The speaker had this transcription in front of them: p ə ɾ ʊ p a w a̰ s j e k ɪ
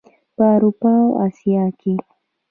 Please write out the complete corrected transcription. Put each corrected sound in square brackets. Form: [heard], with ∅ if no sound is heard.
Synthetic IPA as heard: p [a] ɾ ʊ p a w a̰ s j [a] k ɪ